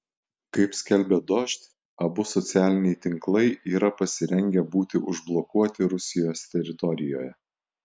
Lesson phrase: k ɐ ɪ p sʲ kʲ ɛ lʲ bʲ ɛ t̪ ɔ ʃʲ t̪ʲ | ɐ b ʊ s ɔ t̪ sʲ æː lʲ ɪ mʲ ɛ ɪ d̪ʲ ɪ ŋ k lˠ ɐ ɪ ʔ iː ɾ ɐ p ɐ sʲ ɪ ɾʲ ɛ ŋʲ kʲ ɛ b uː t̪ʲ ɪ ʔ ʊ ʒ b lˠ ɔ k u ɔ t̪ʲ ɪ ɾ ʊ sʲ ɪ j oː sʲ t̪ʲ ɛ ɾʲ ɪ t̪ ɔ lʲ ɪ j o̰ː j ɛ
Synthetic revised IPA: k ɐ ɪ p sʲ kʲ ɛ lʲ bʲ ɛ d̪ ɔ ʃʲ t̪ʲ | ɐ b ʊ s ɔ t̪ sʲ æː lʲ ɪ nʲ ɛ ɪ t̪ʲ ɪ ŋ k lˠ ɐ ɪ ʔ iː ɾ ɐ p ɐ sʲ ɪ ɾʲ ɛ ŋʲ ɡʲ ɛ b uː t̪ʲ ɪ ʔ ʊ ʒ b lˠ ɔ k u ɔ t̪ʲ ɪ ɾ ʊ sʲ ɪ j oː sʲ t̪ʲ ɛ ɾʲ ɪ t̪ ɔ ɾʲ ɪ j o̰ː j ɛ